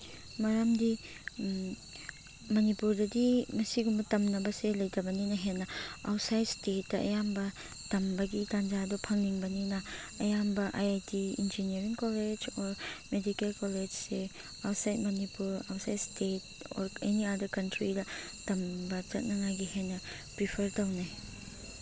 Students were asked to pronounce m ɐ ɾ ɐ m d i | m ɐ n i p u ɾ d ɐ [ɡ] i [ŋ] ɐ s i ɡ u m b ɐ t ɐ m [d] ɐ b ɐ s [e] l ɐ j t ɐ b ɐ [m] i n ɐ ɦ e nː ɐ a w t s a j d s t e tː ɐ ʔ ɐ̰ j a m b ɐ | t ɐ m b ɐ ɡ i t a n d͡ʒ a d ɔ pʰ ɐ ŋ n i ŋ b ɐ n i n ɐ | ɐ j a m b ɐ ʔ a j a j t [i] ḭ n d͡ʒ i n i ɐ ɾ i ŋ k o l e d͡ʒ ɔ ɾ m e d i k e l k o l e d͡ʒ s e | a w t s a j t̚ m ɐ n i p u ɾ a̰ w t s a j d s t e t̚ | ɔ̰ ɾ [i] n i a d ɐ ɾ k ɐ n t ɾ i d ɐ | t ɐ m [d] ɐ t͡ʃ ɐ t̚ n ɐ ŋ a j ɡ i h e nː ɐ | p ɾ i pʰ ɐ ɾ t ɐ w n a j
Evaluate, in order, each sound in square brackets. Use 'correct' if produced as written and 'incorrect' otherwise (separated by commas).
incorrect, incorrect, incorrect, correct, incorrect, correct, incorrect, incorrect